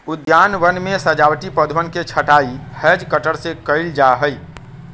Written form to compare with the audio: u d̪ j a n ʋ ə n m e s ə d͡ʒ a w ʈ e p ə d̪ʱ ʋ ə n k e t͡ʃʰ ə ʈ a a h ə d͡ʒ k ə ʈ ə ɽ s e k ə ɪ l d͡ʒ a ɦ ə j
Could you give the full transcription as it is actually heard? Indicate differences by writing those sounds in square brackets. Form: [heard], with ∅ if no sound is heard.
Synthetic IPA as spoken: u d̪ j a n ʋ ə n m e s ə d͡ʒ a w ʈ [i] p ə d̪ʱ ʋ ə n k e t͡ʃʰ ə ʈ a [i] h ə d͡ʒ k ə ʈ ə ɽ s e k ə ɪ l d͡ʒ a ɦ ə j